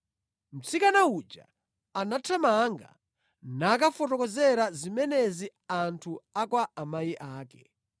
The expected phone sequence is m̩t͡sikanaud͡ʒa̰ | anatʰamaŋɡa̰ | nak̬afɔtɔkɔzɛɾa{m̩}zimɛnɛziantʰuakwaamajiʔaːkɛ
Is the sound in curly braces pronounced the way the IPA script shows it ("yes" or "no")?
no